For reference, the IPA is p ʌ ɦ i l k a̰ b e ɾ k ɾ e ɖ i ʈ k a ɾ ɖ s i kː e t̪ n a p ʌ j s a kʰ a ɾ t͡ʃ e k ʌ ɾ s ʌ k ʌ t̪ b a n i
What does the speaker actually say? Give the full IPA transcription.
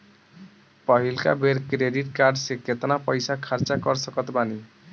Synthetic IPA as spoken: p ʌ ɦ i l k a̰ b e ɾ k ɾ e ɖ i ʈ k a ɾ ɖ s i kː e t̪ n a p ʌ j s a kʰ a ɾ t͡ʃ a k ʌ ɾ s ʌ k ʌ t̪ b a n i